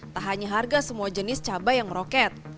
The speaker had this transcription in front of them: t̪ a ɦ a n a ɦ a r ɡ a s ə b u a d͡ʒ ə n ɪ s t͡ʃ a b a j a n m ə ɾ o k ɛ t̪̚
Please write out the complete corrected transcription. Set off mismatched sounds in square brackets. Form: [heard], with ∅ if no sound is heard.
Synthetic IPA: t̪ a ɦ a [ɲ] a ɦ a r ɡ a s ə [m] u a d͡ʒ ə n ɪ s t͡ʃ a b a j a [ŋ] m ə ɾ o k ɛ t̪̚